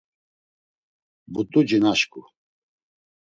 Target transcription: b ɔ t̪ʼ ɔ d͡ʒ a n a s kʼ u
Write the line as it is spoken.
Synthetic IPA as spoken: b u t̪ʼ u d͡ʒ i n a ʃ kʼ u